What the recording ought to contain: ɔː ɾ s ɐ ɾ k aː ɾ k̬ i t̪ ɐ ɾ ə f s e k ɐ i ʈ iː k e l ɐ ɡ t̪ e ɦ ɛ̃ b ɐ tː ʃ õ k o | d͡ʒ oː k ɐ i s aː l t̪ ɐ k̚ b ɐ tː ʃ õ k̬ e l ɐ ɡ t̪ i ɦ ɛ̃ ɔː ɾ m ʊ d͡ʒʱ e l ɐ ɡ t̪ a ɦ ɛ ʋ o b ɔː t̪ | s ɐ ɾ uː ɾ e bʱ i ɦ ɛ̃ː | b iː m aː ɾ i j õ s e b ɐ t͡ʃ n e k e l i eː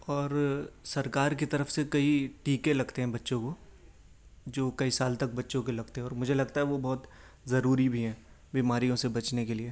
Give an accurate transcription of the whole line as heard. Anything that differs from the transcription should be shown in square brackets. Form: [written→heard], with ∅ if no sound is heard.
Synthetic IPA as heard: ɔː ɾ s ɐ ɾ k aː ɾ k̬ i t̪ ɐ ɾ ə f s e k ɐ i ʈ iː k e l ɐ ɡ t̪ e ɦ ɛ̃ b ɐ tː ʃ õ k o | d͡ʒ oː k ɐ i s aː l t̪ ɐ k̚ b ɐ tː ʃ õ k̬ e l ɐ ɡ t̪ [i→e] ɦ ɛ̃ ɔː ɾ m ʊ d͡ʒʱ e l ɐ ɡ t̪ a ɦ ɛ ʋ o b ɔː t̪ | [s→z] ɐ ɾ uː ɾ [e→i] bʱ i ɦ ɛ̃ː | b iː m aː ɾ i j õ s e b ɐ t͡ʃ n e k e l i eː